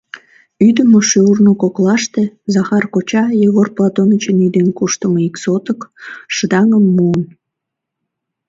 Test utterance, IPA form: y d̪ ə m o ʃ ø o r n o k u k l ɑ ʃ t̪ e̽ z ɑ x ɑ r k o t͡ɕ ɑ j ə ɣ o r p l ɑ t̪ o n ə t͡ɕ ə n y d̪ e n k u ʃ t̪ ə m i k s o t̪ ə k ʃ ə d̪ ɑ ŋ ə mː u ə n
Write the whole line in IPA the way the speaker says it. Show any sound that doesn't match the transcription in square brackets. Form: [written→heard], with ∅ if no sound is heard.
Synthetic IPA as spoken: y d̪ ə m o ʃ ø [o→u] r n o k [u→o] k l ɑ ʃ t̪ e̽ z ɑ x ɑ r k o t͡ɕ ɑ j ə ɣ o r p l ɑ t̪ o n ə t͡ɕ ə n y d̪ e n k u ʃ t̪ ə m i k s o t̪ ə k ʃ ə d̪ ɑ ŋ ə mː u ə n